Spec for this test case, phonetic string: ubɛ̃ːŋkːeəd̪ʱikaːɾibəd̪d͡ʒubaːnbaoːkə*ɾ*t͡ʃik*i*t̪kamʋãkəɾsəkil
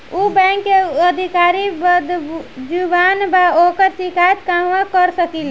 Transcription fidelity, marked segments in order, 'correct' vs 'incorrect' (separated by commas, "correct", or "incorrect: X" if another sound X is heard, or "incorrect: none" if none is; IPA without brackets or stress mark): correct, incorrect: a